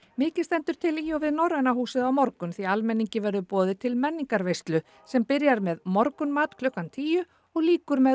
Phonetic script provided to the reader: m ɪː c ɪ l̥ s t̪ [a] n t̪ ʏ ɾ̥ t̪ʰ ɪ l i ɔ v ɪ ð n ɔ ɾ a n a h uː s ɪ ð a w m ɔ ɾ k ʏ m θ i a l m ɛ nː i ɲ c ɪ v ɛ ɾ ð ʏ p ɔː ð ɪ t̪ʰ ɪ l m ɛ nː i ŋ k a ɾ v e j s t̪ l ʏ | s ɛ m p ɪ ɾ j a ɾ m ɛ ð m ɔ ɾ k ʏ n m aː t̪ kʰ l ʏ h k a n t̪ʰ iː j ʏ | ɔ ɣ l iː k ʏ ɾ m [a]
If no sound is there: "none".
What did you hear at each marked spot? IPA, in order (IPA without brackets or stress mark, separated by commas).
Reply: ɛ, ɛ